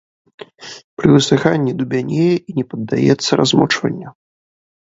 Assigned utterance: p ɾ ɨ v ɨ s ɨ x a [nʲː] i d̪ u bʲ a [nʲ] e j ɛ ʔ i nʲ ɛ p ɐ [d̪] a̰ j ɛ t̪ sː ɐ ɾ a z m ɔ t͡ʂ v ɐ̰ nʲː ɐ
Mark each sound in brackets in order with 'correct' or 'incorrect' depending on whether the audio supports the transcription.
correct, correct, incorrect: d̪ː

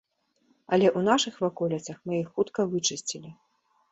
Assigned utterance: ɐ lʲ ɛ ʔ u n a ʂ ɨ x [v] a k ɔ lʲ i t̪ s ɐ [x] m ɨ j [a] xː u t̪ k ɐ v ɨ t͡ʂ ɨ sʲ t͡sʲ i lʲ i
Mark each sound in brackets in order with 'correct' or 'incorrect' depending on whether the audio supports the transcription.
correct, correct, incorrect: i

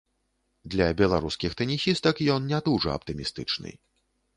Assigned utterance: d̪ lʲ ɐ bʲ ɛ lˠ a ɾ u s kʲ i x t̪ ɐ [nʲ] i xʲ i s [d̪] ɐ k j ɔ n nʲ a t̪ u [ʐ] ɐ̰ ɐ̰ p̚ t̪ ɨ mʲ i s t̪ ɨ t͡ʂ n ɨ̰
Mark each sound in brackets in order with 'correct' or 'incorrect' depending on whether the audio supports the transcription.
correct, incorrect: t̪, correct

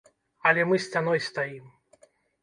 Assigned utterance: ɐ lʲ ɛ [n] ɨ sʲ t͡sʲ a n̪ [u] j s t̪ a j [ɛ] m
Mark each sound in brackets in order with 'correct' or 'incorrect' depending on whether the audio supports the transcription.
incorrect: m, incorrect: ɔ, incorrect: i

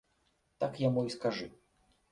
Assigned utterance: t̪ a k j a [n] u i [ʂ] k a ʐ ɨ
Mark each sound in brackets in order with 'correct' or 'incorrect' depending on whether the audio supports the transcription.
incorrect: m, incorrect: s

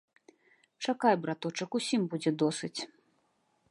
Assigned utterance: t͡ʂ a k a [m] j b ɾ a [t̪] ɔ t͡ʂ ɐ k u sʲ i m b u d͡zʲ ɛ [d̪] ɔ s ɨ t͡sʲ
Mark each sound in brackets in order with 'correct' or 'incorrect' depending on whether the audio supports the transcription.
incorrect: none, correct, correct

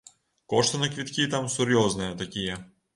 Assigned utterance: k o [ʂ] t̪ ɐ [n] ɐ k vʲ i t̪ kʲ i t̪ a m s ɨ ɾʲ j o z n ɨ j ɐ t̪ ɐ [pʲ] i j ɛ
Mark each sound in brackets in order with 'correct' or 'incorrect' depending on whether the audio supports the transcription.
correct, correct, incorrect: kʲ

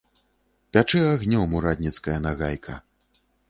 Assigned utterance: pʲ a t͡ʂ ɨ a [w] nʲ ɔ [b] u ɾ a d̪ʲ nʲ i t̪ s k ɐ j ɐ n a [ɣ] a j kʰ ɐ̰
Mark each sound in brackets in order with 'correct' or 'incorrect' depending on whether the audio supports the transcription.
incorrect: ɣ, incorrect: m, correct

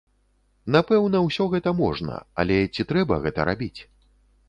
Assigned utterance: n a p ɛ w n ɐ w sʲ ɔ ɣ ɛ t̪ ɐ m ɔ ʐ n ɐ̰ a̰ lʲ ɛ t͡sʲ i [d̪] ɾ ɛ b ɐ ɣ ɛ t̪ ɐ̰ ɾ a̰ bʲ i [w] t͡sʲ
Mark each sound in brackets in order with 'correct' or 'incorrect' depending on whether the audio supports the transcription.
incorrect: t̪, incorrect: none

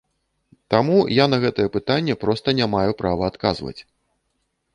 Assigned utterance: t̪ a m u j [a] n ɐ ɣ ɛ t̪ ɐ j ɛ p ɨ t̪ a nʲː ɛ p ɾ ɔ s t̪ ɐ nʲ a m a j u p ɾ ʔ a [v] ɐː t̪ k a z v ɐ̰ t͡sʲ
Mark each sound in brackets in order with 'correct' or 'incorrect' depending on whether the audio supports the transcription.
correct, correct

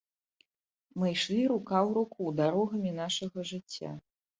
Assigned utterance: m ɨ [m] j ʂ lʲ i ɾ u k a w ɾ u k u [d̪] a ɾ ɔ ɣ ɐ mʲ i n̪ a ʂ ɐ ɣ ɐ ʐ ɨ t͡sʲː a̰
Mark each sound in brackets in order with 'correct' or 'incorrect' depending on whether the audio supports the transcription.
incorrect: none, correct

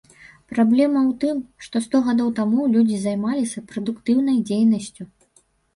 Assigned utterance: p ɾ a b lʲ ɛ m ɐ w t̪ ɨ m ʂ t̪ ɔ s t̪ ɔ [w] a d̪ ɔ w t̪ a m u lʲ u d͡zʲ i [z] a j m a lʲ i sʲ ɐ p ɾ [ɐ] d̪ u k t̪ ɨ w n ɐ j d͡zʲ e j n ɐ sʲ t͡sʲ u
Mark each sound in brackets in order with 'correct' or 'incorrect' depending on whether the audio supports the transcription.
incorrect: ɣ, correct, correct

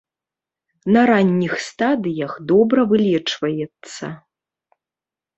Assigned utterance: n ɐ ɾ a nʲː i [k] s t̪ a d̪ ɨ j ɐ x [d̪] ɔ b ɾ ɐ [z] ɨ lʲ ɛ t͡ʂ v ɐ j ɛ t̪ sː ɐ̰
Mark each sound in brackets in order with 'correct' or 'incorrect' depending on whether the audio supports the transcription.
incorrect: x, correct, incorrect: v

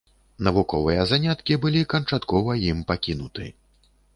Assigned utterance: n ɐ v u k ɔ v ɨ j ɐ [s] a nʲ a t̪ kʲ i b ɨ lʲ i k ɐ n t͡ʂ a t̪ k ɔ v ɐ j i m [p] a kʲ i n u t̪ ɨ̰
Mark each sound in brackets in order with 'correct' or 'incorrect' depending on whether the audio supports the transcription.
incorrect: z, correct

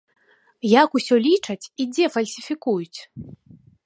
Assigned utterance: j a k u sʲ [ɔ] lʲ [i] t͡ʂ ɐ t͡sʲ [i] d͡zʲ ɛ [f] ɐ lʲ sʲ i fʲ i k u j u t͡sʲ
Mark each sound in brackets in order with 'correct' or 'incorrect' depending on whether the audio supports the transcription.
correct, correct, correct, correct

